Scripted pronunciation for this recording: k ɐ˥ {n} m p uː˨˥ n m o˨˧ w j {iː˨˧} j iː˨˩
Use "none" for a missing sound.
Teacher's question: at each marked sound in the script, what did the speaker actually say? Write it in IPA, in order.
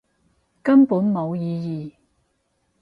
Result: none, iː˨˧

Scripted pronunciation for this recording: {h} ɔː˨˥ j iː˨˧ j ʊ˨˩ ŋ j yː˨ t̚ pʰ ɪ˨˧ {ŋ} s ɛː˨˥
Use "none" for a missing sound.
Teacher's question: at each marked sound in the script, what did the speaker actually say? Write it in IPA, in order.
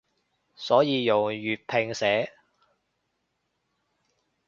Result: s, ŋ

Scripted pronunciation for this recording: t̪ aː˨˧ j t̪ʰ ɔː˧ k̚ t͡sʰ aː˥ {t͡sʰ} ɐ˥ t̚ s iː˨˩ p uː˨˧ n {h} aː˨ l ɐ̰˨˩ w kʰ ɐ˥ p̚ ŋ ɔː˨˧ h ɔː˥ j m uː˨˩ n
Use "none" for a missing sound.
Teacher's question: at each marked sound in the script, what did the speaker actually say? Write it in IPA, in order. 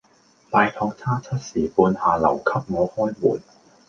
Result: t͡sʰ, h

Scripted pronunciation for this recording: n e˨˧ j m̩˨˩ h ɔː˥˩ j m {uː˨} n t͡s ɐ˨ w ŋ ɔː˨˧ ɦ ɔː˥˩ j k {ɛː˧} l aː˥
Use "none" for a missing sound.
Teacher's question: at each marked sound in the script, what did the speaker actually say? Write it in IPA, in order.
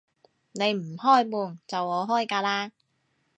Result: uː˨, aː˧

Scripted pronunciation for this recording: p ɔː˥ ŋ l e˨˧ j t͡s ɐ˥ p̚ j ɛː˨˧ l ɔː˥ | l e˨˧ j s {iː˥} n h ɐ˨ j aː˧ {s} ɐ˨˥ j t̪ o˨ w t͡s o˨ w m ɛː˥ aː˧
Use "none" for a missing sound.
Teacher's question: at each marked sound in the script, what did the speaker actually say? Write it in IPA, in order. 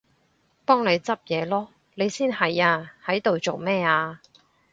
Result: iː˥, h

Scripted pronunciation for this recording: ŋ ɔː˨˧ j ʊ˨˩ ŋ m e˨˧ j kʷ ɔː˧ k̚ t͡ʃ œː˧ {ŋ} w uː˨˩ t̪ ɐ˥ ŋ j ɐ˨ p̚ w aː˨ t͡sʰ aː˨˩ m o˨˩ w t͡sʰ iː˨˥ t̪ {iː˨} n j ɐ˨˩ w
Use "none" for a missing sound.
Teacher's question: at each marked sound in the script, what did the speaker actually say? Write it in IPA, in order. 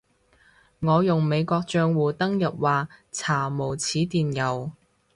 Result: ŋ, iː˨

